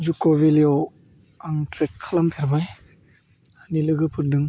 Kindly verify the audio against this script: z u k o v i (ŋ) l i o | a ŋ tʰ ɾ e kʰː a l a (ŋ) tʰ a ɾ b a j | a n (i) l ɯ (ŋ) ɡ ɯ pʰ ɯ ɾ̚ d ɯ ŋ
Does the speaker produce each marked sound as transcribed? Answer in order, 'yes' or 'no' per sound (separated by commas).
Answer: no, no, yes, no